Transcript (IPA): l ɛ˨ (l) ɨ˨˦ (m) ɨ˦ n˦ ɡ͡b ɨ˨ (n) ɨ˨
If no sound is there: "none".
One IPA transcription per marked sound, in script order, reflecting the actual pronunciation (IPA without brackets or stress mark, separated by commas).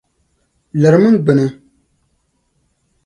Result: ɾ, m, n